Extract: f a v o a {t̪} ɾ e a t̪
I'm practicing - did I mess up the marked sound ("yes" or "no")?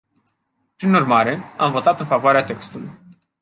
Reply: yes